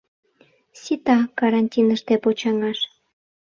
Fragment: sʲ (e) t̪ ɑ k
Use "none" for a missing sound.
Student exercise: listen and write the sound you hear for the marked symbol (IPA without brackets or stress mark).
i